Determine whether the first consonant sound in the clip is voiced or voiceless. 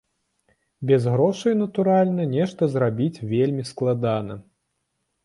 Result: voiced